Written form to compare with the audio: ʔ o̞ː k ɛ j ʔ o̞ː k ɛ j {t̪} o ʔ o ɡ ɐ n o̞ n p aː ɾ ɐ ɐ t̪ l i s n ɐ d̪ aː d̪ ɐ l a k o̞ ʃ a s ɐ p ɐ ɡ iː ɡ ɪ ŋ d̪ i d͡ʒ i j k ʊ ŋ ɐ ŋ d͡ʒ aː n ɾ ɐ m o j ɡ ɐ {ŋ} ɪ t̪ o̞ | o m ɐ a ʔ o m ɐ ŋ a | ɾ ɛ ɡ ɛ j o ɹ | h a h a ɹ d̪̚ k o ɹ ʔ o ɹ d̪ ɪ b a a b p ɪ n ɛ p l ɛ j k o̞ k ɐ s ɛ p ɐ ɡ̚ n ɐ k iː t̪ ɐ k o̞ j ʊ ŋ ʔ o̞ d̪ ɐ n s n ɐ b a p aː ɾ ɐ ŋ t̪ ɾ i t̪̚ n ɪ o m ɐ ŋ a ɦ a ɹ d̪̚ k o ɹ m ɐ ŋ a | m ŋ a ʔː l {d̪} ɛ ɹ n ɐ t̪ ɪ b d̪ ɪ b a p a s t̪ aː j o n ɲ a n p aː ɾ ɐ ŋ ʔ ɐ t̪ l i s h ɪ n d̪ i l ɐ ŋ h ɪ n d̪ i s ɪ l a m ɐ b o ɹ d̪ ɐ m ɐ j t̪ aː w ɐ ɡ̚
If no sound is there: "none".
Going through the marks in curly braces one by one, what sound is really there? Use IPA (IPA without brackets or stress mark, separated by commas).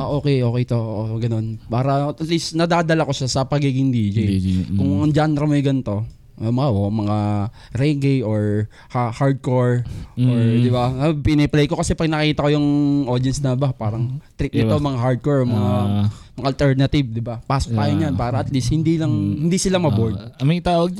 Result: t̪, n, t̪